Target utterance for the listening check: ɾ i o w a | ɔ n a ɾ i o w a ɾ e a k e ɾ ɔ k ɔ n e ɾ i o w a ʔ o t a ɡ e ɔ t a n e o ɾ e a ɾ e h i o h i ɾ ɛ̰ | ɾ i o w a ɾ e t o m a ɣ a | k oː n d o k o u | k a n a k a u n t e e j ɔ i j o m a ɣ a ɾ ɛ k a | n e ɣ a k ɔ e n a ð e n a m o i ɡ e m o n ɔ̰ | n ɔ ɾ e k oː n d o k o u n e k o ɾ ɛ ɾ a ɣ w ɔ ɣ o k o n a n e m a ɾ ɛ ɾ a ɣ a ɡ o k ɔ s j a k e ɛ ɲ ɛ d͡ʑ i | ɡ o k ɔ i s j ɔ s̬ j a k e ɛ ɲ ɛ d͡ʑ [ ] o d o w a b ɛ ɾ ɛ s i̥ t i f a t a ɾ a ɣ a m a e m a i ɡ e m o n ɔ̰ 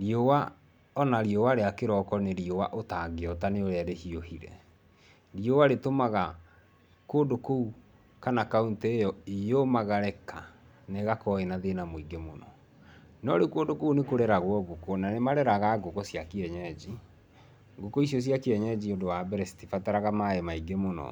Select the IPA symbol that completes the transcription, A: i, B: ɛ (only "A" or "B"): A